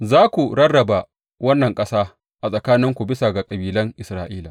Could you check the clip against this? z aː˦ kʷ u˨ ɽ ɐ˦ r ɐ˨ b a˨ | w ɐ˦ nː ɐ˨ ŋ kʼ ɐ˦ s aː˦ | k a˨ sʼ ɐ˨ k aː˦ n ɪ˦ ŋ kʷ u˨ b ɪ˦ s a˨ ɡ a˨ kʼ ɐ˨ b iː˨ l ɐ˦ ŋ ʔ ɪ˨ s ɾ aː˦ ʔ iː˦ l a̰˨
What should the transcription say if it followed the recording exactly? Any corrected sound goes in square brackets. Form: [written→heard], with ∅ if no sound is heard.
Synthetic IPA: z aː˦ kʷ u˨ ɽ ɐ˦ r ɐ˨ b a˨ | w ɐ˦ nː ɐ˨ ŋ kʼ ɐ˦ s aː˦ | [k→ʔ] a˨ sʼ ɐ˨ k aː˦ n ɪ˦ ŋ kʷ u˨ b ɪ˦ s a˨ ɡ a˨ kʼ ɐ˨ b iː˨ l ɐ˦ ŋ ʔ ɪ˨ s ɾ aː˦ ʔ iː˦ l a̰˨